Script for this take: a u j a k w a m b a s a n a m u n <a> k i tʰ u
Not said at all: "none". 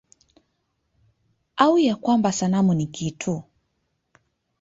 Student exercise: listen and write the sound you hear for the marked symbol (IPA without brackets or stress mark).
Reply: i